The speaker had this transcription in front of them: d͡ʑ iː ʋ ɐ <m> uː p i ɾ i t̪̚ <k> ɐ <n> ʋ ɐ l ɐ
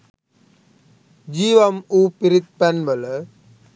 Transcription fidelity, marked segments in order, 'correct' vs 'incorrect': correct, incorrect: p, correct

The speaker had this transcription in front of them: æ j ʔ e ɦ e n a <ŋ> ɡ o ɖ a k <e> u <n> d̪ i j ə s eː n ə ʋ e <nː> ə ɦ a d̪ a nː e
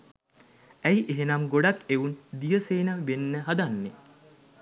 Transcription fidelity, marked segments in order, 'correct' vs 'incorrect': incorrect: m, correct, correct, correct

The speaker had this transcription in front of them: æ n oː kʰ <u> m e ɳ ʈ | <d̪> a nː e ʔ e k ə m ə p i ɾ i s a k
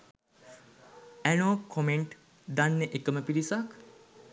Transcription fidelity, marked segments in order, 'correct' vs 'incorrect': incorrect: o, correct

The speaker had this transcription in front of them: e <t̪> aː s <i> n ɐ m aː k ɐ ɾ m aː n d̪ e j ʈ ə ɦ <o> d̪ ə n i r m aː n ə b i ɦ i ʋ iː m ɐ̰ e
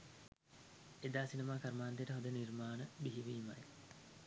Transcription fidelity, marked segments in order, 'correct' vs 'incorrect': incorrect: d̪, correct, correct

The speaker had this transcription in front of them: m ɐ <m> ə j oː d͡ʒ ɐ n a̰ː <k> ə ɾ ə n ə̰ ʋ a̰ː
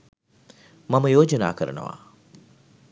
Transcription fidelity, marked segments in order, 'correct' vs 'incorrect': correct, correct

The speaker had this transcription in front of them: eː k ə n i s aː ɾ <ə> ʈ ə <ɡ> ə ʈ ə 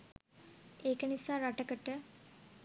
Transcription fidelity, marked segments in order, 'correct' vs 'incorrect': incorrect: a, incorrect: k

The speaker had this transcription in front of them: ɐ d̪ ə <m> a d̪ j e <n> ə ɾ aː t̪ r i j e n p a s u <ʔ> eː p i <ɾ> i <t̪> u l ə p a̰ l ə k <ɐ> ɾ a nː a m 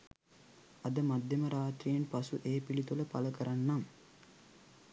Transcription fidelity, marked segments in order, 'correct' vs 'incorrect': correct, incorrect: m, correct, incorrect: l, correct, incorrect: ə

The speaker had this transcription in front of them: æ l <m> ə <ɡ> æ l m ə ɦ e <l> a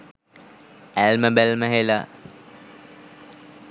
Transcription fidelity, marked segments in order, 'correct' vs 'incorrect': correct, incorrect: b, correct

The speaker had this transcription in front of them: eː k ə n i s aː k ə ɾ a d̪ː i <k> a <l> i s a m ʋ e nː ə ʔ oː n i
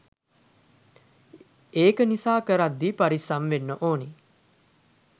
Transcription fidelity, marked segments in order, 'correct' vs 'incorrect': incorrect: p, incorrect: ɾ

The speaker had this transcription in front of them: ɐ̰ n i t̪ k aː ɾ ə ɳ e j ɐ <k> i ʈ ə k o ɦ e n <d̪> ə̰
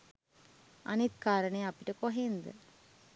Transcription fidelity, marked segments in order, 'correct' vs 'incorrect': incorrect: p, correct

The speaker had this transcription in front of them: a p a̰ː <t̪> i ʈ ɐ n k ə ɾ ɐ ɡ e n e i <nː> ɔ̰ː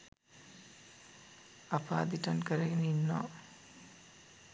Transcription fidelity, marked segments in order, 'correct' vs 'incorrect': incorrect: d̪, correct

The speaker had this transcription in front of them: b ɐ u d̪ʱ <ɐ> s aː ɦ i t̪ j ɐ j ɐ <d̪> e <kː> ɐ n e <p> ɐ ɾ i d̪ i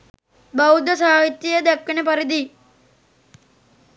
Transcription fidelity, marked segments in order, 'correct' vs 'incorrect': correct, correct, correct, correct

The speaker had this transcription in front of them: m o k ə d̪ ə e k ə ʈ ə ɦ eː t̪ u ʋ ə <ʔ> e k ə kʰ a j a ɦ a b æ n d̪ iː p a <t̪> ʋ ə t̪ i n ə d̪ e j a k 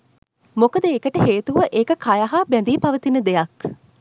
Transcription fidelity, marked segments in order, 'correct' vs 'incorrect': correct, incorrect: none

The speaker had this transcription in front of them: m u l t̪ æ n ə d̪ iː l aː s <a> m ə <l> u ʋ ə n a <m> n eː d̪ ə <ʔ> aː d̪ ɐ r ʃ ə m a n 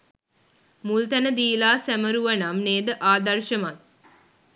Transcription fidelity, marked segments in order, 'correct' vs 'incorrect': incorrect: æ, incorrect: ɾ, correct, correct

